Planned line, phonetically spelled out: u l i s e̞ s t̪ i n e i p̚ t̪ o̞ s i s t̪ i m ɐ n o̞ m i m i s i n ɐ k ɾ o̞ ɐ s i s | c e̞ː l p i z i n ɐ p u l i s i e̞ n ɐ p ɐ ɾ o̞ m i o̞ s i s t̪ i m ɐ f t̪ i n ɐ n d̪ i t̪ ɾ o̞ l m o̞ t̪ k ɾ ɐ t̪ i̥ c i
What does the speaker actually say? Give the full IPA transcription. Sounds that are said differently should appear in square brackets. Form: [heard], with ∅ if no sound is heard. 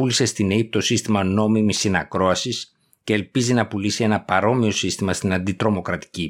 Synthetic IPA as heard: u l i s e̞ s t̪ i n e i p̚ t̪ o̞ s i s t̪ i m ɐ n o̞ m i m i s i n ɐ k ɾ o̞ ɐ s i s | c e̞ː l p i z i n ɐ p u l i s i e̞ n ɐ p ɐ ɾ o̞ m i o̞ s i s t̪ i m ɐ [s] t̪ i n ɐ n d̪ i t̪ ɾ o̞ [∅] m o̞ [∅] k ɾ ɐ t̪ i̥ c i